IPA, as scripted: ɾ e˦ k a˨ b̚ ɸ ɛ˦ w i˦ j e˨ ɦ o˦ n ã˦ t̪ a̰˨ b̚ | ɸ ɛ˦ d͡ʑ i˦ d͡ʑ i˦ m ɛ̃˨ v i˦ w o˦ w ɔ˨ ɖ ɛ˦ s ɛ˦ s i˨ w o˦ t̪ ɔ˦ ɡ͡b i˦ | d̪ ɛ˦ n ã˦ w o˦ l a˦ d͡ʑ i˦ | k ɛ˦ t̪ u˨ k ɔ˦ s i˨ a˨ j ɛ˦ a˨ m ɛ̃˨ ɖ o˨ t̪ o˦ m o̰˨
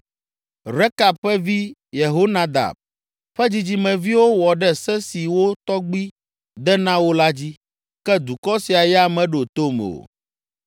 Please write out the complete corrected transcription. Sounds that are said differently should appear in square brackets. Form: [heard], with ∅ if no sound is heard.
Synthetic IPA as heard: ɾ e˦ k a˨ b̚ ɸ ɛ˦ [v] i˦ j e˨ ɦ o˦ n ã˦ [d̪] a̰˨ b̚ | ɸ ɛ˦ d͡ʑ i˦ d͡ʑ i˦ m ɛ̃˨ v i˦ w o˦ w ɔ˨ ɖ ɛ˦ s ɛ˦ s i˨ w o˦ t̪ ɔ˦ ɡ͡b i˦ | d̪ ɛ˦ n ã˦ w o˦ l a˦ d͡ʑ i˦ | k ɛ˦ [d̪] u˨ k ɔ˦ s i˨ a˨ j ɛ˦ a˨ m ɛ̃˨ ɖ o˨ t̪ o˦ m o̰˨